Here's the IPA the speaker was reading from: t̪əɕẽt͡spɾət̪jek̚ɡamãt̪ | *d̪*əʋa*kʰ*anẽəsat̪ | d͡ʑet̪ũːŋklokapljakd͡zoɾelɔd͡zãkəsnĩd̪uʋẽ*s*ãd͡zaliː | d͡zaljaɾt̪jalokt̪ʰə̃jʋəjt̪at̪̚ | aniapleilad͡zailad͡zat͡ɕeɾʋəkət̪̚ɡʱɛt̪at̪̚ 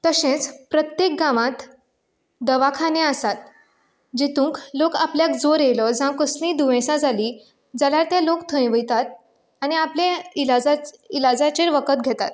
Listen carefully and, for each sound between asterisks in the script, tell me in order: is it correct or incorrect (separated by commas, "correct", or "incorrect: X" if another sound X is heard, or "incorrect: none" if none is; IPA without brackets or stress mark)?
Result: correct, correct, correct